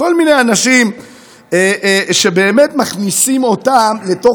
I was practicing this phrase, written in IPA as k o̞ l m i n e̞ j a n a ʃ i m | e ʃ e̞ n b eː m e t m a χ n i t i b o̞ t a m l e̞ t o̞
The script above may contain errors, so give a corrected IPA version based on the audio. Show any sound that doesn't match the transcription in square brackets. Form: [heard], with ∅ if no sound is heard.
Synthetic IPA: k o̞ l m i n e̞ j a n a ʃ i m | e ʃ e̞ [∅] b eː m e t m a χ n i [s] i [m] o̞ t a m l e̞ t o̞